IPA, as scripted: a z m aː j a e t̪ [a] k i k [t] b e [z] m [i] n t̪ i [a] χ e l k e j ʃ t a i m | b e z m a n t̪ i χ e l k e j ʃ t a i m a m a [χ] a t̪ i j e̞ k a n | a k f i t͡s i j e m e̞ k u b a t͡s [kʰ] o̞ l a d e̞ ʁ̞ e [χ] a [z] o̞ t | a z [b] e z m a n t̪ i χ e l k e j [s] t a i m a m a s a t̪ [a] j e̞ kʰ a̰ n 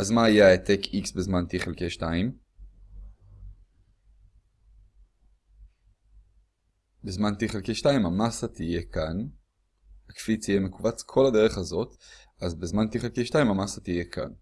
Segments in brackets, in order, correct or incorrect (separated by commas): incorrect, incorrect, correct, incorrect, incorrect, incorrect, correct, correct, correct, correct, incorrect, incorrect